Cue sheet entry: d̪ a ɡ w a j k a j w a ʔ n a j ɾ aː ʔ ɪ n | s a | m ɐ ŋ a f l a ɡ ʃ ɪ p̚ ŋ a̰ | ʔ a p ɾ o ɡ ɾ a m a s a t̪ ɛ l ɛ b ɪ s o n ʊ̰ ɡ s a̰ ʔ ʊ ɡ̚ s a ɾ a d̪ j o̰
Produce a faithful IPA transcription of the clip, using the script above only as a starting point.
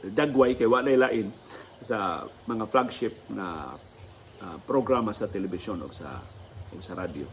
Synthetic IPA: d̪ a ɡ w a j k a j w a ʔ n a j l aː ʔ ɪ n | s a | m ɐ ŋ a f l a ɡ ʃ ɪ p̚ ŋ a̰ | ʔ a p ɾ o ɡ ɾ a m a s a t̪ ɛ l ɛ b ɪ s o n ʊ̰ ɡ s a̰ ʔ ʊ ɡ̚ s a ɾ a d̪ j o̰